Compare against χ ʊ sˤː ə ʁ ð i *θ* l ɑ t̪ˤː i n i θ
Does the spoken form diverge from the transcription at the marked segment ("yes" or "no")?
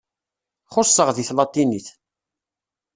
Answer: no